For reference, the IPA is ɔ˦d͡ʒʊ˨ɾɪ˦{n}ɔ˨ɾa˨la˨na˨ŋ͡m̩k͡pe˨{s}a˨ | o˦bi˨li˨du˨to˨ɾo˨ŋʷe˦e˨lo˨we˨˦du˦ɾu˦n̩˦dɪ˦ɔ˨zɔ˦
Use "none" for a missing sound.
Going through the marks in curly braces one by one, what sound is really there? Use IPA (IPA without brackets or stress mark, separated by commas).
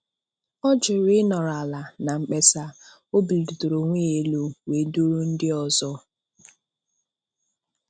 n, s